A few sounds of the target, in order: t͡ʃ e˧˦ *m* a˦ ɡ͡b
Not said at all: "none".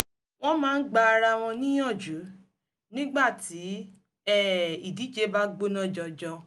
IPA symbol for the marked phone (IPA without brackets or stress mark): b